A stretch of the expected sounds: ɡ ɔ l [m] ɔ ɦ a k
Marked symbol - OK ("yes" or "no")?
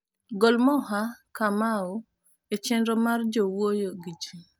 yes